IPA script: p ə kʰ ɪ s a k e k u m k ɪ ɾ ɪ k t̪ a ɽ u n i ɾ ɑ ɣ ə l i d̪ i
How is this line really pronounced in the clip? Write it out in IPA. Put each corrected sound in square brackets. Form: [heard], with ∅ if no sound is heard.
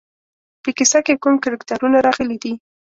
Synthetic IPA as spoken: p ə [k] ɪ s a k e k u m k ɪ ɾ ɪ k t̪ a [ɾ] u n [a] ɾ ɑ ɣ ə l i d̪ i